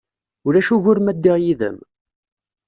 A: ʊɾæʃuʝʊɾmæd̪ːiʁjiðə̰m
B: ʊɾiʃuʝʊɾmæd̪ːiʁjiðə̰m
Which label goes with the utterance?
A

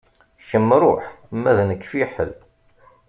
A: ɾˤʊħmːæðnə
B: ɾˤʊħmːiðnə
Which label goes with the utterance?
A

